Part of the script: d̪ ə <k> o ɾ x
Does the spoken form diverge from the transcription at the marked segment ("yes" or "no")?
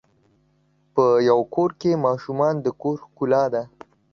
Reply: no